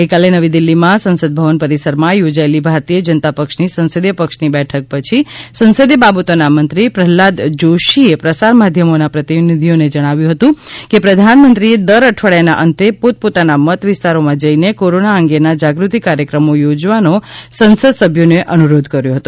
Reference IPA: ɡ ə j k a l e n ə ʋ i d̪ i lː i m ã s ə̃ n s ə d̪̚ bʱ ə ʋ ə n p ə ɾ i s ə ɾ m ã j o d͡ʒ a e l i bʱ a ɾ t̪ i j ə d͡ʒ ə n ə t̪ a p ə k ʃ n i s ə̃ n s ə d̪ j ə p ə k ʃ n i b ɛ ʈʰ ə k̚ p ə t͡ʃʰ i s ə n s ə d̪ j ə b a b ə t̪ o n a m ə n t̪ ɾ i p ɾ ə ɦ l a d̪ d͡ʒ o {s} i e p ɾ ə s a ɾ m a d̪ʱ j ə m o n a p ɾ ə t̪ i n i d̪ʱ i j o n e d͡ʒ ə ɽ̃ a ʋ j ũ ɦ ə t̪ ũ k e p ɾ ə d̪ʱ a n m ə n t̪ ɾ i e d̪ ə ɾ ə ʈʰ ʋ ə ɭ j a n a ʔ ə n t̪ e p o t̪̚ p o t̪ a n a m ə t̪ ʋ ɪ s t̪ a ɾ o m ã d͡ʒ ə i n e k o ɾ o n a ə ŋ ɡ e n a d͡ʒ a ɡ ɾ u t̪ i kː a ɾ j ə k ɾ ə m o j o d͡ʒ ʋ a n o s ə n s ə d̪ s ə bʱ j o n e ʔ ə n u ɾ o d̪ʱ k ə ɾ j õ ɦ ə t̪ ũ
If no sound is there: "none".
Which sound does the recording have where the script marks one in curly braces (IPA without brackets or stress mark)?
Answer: ʃ